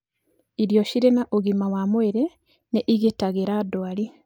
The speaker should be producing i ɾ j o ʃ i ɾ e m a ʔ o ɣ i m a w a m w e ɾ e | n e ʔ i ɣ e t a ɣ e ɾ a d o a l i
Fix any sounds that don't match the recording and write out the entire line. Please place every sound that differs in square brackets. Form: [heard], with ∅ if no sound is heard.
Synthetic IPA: i ɾ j o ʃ i ɾ e [n] a ʔ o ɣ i m a w a m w e ɾ e | n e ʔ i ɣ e t a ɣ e ɾ a d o a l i